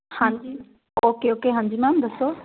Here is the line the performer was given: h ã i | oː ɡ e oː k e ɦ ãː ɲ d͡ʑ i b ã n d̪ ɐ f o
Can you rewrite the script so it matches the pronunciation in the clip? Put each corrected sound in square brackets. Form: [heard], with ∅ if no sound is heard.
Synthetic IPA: h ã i | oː [k] e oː k e ɦ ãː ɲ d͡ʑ i [m] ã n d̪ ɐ [s] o